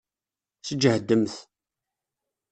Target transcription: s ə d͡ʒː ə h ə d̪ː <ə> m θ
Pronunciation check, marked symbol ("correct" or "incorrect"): correct